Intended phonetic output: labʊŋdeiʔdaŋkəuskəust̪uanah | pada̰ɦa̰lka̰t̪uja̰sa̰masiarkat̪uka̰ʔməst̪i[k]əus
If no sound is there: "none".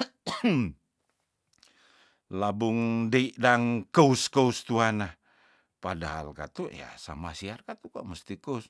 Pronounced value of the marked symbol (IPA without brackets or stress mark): k